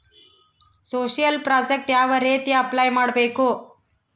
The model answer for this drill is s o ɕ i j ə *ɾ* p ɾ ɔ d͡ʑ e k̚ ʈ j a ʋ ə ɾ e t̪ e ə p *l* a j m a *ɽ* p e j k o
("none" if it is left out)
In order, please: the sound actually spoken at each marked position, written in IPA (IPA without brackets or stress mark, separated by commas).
l, l, ɽ